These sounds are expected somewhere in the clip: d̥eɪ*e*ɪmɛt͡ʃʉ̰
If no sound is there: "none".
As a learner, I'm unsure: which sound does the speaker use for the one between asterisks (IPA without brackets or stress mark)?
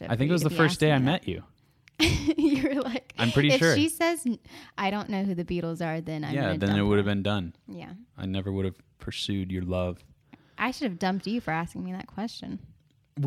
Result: a